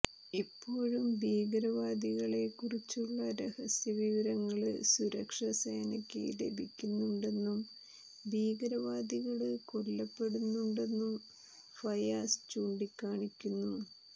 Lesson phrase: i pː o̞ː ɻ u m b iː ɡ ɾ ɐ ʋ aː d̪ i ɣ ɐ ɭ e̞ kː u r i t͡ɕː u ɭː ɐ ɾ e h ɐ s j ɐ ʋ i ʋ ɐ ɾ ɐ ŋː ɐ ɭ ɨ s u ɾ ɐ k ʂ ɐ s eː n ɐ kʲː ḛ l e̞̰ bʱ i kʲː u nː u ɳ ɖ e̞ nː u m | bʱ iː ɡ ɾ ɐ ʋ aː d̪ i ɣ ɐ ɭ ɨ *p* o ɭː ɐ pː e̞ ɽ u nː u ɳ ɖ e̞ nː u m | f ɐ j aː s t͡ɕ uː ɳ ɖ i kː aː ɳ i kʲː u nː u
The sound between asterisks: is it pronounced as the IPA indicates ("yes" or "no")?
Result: no